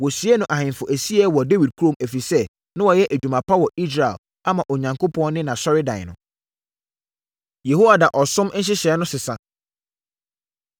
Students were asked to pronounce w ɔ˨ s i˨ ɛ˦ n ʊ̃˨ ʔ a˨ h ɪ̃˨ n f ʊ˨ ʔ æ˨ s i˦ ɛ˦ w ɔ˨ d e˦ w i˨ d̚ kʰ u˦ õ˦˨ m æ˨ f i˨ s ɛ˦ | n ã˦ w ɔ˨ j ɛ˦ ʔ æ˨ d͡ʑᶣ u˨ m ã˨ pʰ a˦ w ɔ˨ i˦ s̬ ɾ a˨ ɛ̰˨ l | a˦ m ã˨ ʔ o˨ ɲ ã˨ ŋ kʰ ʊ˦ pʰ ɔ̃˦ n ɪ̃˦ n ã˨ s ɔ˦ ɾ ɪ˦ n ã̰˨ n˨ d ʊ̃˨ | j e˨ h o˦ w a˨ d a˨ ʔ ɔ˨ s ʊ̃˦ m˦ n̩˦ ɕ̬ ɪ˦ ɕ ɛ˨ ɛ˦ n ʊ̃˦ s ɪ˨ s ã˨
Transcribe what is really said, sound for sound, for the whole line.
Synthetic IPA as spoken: w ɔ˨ s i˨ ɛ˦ n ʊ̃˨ ʔ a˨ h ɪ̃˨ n f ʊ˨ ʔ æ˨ s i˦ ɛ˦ w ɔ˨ d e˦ w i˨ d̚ kʰ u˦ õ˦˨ m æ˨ f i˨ s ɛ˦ | n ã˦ w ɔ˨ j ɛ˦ ʔ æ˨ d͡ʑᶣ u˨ m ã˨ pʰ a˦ w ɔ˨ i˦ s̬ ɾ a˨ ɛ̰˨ l | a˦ m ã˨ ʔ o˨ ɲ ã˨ ŋ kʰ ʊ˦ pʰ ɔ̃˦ n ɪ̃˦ n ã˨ s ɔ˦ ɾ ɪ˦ d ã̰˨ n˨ n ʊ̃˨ | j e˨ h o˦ w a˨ d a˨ ʔ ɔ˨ s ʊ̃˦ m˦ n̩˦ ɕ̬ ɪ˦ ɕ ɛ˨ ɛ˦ n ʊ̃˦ s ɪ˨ s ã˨